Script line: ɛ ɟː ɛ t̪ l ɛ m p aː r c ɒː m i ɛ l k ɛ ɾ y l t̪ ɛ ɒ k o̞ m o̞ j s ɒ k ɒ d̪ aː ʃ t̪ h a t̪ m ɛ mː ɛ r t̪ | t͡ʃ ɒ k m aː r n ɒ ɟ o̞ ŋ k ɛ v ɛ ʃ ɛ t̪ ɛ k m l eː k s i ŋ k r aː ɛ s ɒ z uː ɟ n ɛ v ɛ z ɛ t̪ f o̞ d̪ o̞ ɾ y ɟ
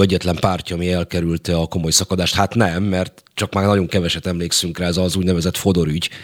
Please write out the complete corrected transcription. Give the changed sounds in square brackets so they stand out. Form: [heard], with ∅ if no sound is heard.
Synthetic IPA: ɛ ɟː ɛ t̪ l ɛ m p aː r c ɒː m i ɛ l k ɛ ɾ y l t̪ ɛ ɒ k o̞ m o̞ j s ɒ k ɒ d̪ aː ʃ t̪ h a t̪ [n] ɛ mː ɛ r t̪ | t͡ʃ ɒ k m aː r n ɒ ɟ o̞ ŋ k ɛ v ɛ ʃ ɛ t̪ ɛ [∅] m l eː k s [y] ŋ k r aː ɛ [z] ɒ z uː ɟ n ɛ v ɛ z ɛ t̪ f o̞ d̪ o̞ ɾ y ɟ